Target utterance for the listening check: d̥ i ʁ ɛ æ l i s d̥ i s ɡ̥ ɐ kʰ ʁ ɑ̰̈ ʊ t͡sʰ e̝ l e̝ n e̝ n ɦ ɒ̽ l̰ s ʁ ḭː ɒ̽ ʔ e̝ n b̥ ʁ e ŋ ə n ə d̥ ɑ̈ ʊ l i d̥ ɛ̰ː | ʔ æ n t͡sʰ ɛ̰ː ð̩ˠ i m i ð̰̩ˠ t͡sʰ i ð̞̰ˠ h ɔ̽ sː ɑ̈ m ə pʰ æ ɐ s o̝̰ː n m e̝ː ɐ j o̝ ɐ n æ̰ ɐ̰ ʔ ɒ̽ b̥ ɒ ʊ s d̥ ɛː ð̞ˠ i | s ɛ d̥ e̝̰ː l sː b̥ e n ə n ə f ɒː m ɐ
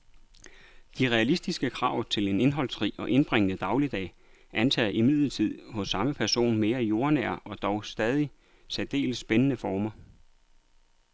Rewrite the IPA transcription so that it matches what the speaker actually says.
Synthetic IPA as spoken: d̥ i ʁ ɛ æ l i s d̥ i s ɡ̥ ə kʰ ʁ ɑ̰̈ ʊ t͡sʰ e̝ l e̝ n e̝ n ɦ ɒ̽ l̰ s ʁ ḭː ɒ̽ ʔ e̝ n b̥ ʁ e ŋ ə n ə d̥ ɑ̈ ʊ l i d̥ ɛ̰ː | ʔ æ n t͡sʰ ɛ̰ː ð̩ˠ i m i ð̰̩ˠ t͡sʰ i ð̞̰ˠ h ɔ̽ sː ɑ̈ m ə pʰ æ ɐ s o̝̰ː n m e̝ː ɐ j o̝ ɐ n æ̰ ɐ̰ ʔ ɒ̽ d̥ ɒ ʊ s d̥ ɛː ð̞ˠ i | s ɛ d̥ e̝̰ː l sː b̥ e n ə n ə f ɒː m ɐ